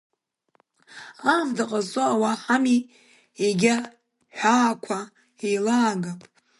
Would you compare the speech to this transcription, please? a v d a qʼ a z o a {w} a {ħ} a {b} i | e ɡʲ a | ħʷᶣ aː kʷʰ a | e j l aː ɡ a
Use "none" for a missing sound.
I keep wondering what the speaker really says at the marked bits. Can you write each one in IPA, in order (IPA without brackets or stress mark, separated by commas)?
w, ħ, m